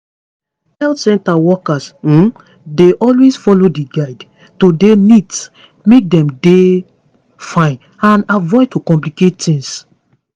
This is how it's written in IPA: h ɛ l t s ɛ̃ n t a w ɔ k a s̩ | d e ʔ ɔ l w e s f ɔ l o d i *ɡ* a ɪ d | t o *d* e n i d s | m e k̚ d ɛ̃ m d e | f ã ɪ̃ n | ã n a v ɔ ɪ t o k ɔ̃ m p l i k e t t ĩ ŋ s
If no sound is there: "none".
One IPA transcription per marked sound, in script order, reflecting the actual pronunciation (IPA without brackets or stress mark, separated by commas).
ɡ, d